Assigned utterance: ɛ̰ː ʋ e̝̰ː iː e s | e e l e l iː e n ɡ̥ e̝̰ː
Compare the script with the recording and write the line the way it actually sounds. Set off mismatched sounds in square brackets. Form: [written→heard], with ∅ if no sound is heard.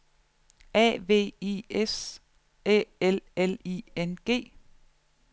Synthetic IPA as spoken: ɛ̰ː ʋ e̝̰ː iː e s | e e l e l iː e n ɡ̥ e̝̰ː